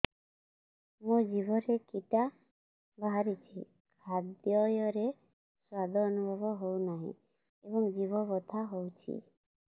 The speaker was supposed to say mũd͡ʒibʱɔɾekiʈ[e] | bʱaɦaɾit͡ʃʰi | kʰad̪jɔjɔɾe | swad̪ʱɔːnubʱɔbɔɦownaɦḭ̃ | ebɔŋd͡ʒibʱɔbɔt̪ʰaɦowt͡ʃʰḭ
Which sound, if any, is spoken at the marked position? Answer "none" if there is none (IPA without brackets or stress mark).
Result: a